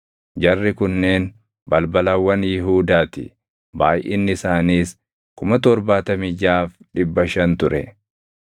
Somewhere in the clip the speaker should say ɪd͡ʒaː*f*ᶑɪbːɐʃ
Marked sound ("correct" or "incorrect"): correct